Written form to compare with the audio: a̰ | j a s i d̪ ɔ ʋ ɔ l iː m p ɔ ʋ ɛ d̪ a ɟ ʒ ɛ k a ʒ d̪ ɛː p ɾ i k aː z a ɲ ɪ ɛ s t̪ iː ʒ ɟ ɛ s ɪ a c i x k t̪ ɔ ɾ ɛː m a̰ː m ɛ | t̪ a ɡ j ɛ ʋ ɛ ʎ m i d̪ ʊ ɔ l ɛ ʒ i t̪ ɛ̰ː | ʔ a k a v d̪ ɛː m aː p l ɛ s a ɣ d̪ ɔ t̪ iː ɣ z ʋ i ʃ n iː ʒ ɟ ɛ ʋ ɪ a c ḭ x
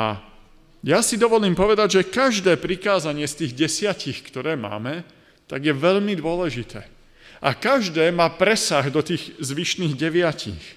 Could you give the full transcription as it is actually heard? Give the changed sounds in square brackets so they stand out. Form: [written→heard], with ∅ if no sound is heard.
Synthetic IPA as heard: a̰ | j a s i d̪ ɔ ʋ ɔ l iː m p ɔ ʋ ɛ d̪ a ɟ ʒ ɛ k a ʒ d̪ ɛː p ɾ i k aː z a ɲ ɪ ɛ s t̪ iː [ʒ→ɣ] ɟ ɛ s ɪ a c i x k t̪ ɔ ɾ ɛː m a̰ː m ɛ | t̪ a ɡ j ɛ ʋ ɛ ʎ m i d̪ ʊ ɔ l ɛ ʒ i t̪ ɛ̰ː | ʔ a k a [v→ʒ] d̪ ɛː m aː p [l→ɾ] ɛ s a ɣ d̪ ɔ t̪ iː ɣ z ʋ i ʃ n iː [ʒ→ɣ] ɟ ɛ ʋ ɪ a c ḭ x